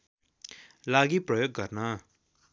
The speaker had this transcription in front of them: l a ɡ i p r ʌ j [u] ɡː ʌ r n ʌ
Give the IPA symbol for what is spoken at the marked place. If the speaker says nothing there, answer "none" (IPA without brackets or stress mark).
o